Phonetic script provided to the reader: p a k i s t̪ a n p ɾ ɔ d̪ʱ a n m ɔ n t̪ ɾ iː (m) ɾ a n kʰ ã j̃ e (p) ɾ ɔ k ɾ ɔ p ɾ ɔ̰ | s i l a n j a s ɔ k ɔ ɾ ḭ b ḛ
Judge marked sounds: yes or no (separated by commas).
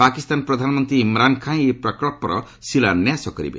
yes, yes